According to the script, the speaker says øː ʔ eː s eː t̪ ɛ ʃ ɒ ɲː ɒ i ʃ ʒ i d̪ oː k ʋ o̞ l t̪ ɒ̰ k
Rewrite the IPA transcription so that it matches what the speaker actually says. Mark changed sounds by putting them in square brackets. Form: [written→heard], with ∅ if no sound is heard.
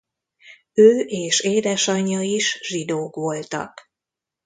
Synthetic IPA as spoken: øː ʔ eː [s→ʃ] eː [t̪→d̪] ɛ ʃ ɒ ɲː ɒ i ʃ ʒ i d̪ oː k ʋ o̞ l t̪ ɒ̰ k